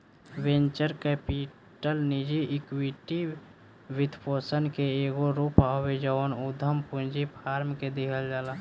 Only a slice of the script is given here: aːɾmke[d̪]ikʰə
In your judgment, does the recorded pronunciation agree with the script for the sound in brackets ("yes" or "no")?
yes